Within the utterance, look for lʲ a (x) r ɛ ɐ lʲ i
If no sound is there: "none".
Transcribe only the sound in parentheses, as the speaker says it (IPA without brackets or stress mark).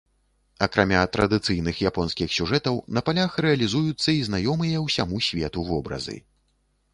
x